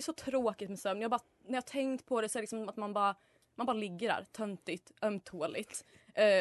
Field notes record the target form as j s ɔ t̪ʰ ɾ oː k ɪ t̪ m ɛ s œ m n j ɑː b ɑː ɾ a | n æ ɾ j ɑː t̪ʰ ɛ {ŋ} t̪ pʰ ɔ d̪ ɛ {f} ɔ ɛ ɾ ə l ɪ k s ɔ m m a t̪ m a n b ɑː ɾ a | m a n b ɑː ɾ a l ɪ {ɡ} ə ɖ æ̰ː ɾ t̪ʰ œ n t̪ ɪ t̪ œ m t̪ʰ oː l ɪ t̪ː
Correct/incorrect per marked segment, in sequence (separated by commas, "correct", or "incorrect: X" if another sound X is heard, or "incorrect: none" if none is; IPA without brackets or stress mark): correct, incorrect: s, incorrect: ɡː